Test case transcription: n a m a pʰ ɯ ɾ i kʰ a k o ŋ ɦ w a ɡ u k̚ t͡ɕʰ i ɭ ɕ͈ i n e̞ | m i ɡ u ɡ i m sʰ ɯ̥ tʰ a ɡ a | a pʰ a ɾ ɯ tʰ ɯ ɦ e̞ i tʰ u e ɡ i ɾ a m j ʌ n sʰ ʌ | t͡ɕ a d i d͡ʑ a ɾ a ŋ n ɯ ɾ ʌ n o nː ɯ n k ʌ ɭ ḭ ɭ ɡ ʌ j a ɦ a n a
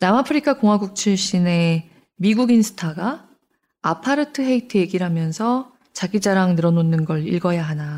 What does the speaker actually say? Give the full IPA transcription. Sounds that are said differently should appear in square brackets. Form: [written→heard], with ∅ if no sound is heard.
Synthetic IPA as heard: n a m a pʰ ɯ ɾ i kʰ a k o ŋ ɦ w a ɡ u k̚ t͡ɕʰ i ɭ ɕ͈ i n e̞ | m i ɡ u ɡ i [m→n] sʰ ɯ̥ tʰ a ɡ a | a pʰ a ɾ ɯ tʰ ɯ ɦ e̞ i tʰ [u→ɯ] e ɡ i ɾ a m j ʌ n sʰ ʌ | t͡ɕ a [d→ɡ] i d͡ʑ a ɾ a ŋ n ɯ ɾ ʌ n o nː ɯ n [k→ɡ] ʌ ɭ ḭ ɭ ɡ ʌ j a ɦ a n a